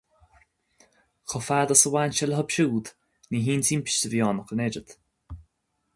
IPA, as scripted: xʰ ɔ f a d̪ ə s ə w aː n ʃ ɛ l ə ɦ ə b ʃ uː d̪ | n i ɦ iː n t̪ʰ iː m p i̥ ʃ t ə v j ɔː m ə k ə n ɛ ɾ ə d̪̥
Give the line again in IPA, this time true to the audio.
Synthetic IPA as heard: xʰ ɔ f a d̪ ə s ə w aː n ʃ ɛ l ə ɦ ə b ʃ uː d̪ | n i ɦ iː n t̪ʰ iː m p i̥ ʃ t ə v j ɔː n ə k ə n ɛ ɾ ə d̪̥